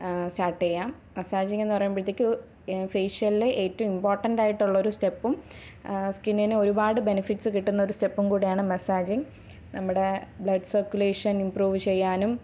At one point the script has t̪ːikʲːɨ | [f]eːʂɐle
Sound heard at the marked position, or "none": f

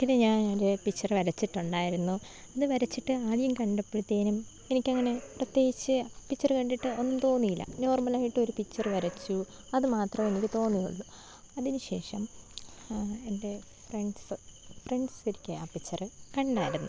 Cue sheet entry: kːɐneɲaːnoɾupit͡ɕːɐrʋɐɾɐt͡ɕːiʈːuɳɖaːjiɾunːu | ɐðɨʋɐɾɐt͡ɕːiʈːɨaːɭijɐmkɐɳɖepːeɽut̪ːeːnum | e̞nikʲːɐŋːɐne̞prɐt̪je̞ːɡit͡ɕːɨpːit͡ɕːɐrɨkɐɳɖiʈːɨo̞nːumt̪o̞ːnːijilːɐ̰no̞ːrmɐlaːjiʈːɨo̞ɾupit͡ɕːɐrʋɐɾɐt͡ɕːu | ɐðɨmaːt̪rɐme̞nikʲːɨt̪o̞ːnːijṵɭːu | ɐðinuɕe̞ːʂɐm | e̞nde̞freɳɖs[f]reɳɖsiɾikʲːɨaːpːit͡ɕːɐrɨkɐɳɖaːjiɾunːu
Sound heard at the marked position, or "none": f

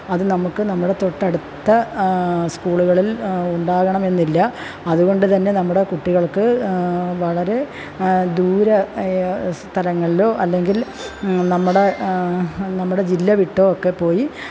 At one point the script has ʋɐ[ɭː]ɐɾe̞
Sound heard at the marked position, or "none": ɭ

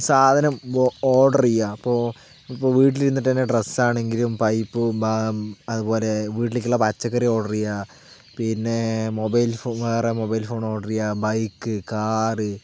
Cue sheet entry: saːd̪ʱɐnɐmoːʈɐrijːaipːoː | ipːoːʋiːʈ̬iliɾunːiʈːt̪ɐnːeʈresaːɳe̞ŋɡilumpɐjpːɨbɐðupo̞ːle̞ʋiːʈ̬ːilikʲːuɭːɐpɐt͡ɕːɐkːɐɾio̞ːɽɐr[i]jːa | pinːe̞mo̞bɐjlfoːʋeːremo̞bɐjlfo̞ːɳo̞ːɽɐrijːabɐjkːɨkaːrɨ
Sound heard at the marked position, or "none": i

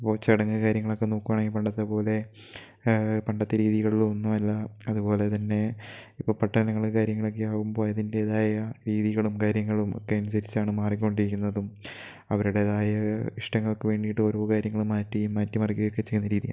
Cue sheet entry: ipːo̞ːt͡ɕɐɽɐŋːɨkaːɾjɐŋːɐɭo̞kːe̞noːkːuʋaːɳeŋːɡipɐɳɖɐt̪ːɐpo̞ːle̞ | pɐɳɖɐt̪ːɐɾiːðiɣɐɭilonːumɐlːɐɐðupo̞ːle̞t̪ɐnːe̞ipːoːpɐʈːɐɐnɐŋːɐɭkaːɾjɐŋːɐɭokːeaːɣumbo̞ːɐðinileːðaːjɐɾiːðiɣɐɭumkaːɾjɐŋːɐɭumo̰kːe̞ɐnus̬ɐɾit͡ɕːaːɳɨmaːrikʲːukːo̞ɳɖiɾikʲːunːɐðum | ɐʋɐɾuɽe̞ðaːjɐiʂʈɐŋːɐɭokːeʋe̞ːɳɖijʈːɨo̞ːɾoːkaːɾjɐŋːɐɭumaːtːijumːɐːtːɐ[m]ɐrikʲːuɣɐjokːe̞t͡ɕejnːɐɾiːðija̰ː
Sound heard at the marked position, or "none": m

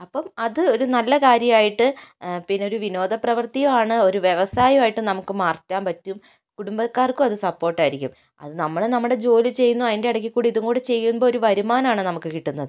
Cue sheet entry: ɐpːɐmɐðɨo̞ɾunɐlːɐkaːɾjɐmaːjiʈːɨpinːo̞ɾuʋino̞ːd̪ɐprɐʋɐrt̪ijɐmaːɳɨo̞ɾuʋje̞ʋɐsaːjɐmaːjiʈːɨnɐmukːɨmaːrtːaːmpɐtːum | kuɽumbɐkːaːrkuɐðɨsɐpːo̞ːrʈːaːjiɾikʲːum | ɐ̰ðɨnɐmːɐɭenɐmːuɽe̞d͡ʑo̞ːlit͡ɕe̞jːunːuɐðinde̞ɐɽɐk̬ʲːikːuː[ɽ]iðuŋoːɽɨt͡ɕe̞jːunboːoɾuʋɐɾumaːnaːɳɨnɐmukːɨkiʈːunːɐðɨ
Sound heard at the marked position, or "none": ɽ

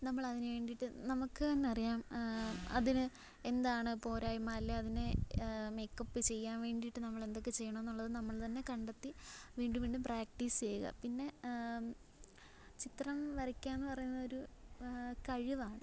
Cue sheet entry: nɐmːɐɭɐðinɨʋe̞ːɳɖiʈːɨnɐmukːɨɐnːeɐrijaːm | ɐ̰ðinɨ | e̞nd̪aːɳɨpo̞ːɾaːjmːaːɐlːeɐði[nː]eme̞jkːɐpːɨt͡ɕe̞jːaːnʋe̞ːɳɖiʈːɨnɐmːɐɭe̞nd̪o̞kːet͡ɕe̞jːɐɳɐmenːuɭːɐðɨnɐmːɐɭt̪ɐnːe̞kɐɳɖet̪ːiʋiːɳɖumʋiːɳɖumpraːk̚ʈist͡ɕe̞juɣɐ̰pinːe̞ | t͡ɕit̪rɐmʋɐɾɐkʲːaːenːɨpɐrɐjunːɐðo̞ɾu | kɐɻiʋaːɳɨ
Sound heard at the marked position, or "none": n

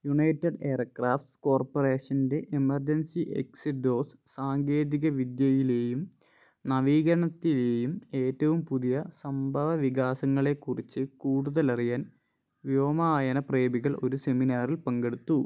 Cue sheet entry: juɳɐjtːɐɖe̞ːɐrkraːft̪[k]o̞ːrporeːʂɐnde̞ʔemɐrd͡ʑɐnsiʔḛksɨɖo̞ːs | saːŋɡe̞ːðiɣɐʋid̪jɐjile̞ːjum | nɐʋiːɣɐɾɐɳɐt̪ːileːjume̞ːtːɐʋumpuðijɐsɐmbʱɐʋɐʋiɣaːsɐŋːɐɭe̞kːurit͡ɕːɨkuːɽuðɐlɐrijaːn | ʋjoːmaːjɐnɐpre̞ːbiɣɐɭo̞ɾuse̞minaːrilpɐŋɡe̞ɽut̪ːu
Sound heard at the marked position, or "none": k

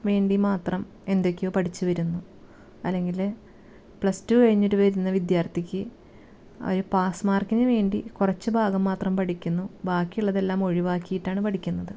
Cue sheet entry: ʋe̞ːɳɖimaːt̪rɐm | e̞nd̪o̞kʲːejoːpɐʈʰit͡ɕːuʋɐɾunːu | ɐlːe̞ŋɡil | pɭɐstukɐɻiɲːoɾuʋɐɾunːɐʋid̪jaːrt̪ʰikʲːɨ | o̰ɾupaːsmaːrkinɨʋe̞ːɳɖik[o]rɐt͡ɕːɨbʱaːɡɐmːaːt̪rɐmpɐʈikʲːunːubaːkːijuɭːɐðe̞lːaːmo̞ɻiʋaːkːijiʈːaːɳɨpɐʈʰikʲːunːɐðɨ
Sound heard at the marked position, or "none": u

